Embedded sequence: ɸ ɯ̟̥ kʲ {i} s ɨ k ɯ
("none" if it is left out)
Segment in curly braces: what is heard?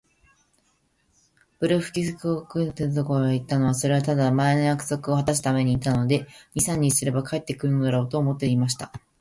i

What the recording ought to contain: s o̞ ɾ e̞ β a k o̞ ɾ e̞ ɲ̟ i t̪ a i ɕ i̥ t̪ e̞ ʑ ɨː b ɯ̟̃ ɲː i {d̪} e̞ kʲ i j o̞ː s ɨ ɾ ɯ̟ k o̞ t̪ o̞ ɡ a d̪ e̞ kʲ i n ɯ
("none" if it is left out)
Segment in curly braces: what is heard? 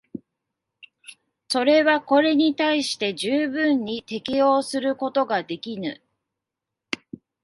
t̪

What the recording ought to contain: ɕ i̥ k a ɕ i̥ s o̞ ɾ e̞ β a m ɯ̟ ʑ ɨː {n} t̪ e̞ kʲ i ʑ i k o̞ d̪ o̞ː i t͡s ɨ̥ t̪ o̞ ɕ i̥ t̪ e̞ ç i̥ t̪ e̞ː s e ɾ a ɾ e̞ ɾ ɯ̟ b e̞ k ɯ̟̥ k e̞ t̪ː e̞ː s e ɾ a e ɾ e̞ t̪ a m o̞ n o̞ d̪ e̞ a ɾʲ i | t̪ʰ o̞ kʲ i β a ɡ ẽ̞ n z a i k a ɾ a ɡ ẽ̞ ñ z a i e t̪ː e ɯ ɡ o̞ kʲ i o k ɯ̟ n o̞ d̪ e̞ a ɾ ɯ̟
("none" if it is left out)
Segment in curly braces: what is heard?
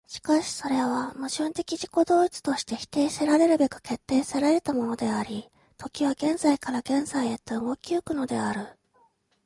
n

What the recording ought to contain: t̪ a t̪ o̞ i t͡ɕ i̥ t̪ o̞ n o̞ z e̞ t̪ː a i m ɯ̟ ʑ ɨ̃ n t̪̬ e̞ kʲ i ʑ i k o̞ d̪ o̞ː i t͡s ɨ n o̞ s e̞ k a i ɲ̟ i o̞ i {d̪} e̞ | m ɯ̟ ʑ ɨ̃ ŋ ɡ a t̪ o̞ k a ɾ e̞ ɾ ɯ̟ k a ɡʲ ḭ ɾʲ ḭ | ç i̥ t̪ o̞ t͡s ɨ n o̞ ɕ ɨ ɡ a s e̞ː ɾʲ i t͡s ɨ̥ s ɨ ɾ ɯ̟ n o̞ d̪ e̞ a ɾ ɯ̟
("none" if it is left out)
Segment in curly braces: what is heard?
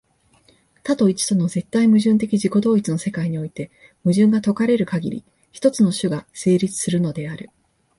t̪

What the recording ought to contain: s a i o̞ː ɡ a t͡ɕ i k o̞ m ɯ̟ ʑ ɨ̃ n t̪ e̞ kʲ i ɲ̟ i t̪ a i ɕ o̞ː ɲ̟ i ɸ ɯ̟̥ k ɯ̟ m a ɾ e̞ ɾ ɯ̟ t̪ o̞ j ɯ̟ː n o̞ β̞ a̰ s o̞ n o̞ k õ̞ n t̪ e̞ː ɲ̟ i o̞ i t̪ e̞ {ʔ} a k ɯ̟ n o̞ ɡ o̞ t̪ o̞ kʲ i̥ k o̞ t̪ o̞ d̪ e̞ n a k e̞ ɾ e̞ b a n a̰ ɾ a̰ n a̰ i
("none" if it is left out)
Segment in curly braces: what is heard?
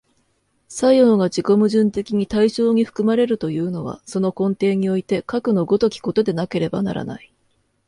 k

